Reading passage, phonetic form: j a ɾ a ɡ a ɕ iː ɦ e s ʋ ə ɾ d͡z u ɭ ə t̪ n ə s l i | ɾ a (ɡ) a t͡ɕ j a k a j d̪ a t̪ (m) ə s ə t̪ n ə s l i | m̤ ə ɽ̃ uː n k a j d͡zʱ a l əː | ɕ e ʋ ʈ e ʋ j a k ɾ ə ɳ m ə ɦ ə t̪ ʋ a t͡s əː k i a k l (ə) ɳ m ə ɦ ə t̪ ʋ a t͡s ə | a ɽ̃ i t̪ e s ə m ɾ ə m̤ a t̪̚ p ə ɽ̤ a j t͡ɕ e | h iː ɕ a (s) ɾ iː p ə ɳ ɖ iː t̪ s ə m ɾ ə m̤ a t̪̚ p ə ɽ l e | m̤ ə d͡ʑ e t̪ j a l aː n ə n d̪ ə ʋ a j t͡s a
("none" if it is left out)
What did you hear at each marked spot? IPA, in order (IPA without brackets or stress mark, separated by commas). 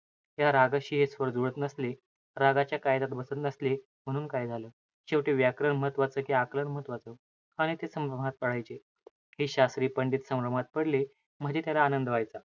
ɡ, b, ə, s